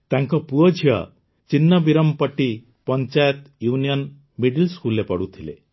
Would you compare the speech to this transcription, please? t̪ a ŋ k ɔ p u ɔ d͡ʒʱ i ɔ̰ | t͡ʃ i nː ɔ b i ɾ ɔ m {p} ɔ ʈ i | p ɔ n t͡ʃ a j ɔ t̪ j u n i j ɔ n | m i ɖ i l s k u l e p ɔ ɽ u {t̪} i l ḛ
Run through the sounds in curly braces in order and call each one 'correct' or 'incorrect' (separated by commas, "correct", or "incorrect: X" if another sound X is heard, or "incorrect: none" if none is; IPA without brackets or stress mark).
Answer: correct, incorrect: t̪ʰ